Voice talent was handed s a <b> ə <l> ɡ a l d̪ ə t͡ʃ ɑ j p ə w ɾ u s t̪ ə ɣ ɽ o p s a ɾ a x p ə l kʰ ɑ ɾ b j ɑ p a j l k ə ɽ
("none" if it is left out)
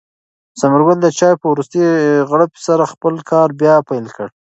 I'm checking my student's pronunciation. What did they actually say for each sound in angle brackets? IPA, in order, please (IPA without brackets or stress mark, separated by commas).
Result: m, ɾ